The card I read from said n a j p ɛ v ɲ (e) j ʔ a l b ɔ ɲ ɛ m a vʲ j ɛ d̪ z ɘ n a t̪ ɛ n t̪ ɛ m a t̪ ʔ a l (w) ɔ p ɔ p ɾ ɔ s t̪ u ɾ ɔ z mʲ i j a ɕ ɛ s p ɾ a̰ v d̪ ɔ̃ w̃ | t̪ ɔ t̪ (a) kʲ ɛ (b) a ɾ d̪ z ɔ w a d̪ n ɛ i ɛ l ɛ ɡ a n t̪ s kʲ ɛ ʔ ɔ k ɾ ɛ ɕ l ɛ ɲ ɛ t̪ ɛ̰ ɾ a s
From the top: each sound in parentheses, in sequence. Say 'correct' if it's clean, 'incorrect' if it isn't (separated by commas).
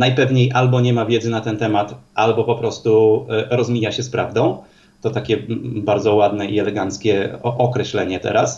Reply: correct, incorrect, correct, correct